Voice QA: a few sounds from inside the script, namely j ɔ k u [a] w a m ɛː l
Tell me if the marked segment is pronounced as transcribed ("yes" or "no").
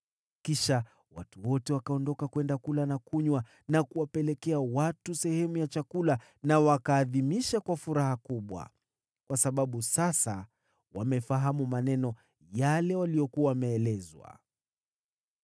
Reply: yes